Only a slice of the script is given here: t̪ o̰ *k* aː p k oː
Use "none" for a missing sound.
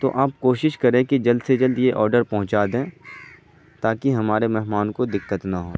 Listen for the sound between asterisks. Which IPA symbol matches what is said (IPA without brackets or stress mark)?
ʔ